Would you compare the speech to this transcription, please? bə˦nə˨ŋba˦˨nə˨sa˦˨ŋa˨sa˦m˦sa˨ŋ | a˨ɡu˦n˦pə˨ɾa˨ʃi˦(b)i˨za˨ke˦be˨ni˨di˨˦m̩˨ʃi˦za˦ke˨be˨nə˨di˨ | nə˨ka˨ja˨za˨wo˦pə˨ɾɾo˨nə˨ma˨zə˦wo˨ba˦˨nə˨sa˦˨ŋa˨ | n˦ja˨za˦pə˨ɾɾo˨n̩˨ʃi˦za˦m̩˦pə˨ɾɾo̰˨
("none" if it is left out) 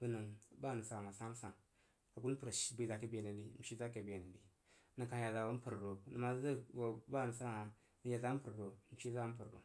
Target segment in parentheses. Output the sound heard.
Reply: b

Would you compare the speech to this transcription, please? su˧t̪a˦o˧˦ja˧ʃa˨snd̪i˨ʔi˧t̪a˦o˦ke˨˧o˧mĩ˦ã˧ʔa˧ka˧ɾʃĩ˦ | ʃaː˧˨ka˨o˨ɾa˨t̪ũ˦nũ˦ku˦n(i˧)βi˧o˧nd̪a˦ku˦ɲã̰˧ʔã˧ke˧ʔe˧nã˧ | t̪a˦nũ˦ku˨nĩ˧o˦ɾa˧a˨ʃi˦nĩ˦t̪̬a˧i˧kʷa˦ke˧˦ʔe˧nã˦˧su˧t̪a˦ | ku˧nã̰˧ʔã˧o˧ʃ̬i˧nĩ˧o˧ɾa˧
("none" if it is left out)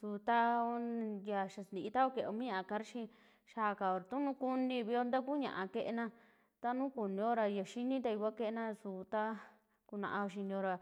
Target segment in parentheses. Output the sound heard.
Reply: ĩ˧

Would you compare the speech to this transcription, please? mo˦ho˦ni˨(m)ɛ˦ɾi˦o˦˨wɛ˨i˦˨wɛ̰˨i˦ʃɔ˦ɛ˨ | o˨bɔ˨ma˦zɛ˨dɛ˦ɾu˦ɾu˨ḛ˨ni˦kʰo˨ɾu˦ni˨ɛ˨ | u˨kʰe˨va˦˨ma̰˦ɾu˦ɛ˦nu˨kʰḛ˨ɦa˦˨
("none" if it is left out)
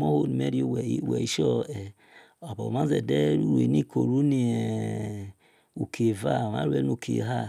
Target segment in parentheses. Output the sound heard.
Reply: m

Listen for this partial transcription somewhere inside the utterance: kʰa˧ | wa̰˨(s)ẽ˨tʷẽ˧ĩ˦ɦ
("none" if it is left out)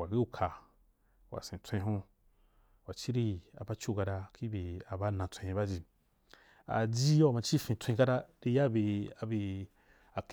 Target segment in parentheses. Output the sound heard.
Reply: s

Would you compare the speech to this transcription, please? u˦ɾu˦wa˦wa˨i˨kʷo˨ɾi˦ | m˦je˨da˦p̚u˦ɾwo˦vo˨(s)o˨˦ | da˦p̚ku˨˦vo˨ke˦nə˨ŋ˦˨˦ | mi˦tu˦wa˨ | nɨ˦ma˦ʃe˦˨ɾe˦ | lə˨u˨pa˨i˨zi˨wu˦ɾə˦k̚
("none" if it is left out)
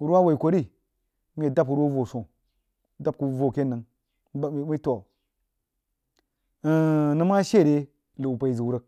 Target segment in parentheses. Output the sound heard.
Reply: s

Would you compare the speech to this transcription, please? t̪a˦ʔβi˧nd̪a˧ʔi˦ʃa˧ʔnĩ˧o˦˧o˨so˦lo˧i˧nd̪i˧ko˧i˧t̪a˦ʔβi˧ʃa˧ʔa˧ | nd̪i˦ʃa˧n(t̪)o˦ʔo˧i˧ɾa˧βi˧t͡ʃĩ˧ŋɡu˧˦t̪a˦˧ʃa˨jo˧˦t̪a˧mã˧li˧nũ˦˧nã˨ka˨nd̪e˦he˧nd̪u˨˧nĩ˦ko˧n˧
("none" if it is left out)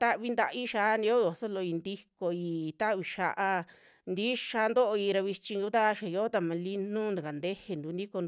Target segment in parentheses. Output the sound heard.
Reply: d̪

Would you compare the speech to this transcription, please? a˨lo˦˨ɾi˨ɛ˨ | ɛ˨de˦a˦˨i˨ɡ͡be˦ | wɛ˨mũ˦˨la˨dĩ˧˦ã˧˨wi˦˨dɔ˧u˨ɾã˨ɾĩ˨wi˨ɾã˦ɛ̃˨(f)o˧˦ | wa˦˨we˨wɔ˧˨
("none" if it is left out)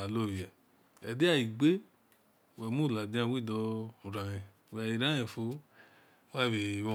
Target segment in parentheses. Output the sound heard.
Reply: f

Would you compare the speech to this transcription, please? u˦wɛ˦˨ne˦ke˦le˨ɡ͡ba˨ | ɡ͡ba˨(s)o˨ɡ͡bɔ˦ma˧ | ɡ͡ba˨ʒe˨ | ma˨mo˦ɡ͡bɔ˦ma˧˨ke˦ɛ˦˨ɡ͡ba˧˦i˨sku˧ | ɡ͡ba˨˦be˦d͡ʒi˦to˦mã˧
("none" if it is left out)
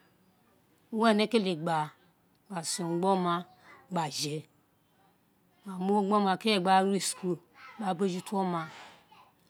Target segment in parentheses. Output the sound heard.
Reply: s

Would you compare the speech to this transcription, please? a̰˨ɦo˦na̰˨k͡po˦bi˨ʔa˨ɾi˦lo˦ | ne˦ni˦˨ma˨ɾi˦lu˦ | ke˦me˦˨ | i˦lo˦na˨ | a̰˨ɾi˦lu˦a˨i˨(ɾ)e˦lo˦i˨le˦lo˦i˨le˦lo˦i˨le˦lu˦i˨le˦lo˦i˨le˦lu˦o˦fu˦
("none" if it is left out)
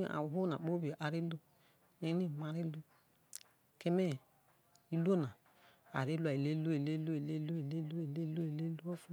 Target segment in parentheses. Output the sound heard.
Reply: l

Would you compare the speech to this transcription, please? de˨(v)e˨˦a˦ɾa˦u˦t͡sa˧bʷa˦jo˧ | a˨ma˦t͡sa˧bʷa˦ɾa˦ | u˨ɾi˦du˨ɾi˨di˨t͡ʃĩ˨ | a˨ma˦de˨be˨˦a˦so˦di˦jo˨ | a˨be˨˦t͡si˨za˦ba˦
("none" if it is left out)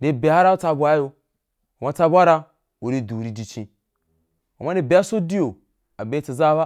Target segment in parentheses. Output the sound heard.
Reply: b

